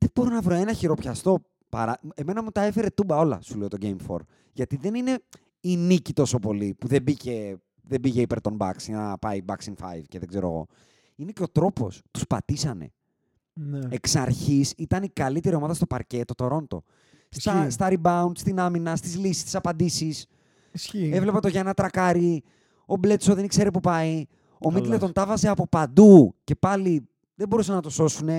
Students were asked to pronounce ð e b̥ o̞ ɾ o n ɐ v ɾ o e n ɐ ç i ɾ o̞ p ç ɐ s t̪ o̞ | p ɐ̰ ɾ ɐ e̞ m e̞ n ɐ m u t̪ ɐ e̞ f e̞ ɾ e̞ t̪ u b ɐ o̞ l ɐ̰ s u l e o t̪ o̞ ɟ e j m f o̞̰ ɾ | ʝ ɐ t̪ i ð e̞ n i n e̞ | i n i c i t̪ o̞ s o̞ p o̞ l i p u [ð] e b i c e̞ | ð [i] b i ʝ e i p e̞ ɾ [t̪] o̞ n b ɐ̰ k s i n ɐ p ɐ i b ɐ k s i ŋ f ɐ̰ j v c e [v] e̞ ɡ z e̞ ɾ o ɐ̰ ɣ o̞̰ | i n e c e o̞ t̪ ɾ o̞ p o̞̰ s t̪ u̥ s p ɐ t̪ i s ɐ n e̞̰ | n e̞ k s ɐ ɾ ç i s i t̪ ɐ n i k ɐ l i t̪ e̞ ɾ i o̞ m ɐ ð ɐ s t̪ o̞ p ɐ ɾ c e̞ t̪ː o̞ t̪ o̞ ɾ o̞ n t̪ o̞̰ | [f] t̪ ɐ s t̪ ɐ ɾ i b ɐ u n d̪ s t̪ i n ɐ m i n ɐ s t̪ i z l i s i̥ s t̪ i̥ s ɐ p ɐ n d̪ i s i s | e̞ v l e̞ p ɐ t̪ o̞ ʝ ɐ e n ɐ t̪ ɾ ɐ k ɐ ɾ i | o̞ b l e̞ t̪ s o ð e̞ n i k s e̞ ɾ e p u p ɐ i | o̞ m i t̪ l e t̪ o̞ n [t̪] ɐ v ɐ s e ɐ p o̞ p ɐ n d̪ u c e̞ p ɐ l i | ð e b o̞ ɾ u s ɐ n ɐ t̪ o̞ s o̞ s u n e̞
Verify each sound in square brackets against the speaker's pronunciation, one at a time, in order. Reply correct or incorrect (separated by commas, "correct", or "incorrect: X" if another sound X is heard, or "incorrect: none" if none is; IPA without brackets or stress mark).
correct, incorrect: e, correct, incorrect: ð, incorrect: s, correct